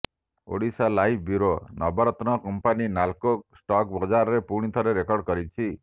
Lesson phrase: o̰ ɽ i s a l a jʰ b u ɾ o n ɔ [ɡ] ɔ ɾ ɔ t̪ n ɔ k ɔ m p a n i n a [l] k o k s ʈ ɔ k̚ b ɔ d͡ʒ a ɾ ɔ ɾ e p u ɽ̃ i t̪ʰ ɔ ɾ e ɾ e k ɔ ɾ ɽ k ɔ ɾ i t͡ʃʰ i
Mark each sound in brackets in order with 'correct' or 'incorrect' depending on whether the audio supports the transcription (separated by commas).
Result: incorrect, correct